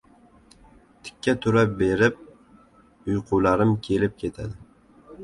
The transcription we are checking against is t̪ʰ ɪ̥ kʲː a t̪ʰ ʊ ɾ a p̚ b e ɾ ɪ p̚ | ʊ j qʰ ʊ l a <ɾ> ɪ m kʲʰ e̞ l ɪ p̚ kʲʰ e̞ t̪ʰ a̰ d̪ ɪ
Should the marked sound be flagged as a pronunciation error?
no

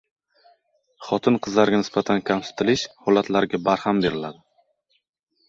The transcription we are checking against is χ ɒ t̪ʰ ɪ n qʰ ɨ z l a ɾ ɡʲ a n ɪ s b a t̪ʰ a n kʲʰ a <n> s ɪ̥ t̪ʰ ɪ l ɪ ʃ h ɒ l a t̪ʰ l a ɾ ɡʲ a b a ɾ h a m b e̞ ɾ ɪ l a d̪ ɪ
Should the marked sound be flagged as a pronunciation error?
yes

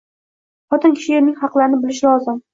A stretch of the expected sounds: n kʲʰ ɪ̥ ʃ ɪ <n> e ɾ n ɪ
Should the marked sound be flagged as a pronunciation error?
yes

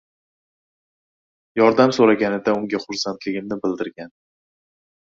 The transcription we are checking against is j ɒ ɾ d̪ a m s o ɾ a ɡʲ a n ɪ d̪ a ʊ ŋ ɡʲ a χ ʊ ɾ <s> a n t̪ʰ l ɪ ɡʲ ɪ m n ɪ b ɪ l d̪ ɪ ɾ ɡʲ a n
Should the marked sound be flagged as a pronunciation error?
no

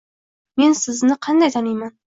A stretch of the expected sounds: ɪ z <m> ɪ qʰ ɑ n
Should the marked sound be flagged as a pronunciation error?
yes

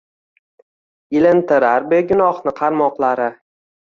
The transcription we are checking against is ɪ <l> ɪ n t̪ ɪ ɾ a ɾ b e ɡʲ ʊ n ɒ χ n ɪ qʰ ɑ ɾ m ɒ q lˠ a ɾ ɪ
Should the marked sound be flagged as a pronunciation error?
no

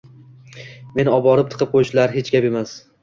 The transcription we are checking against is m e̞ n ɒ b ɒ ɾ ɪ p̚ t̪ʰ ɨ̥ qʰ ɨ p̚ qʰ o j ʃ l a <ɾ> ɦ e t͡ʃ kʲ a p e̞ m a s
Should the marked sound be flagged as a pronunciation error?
no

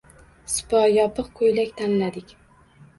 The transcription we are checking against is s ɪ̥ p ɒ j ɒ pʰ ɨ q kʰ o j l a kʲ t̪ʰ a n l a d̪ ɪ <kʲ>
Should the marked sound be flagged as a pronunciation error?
no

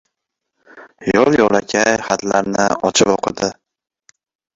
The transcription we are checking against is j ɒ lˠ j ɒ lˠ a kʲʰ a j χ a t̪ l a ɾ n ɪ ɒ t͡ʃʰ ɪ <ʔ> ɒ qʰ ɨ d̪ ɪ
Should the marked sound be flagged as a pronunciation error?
yes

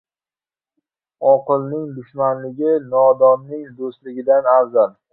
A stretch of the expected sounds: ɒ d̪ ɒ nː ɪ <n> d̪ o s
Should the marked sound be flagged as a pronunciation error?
yes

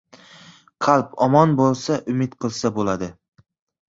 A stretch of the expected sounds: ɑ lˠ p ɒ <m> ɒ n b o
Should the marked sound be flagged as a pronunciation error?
no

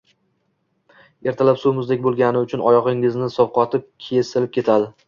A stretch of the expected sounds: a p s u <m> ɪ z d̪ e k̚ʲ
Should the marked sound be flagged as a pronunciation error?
no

